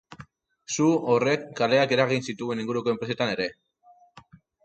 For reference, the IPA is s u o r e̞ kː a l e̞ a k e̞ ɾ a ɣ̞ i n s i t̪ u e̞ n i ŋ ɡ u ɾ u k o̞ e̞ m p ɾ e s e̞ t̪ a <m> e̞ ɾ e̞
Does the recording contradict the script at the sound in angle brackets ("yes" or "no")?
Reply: yes